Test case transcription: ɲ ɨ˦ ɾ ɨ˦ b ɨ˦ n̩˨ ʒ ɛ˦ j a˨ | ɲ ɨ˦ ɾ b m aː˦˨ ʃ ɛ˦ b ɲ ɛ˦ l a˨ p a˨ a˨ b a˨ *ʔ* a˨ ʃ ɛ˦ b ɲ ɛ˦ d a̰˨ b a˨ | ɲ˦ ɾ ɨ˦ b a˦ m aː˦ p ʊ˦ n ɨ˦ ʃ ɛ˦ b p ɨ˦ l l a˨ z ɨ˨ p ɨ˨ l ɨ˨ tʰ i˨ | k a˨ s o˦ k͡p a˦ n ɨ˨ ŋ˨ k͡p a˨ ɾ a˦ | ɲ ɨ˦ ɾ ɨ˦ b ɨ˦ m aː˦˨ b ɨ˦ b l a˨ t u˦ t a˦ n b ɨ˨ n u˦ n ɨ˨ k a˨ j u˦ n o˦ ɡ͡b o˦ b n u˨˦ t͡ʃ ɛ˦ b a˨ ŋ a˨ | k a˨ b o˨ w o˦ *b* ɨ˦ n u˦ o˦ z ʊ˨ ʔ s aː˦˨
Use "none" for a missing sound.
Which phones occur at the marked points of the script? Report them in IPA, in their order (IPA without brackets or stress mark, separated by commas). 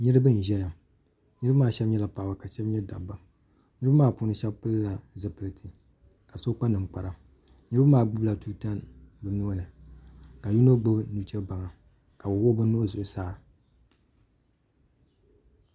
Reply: k, b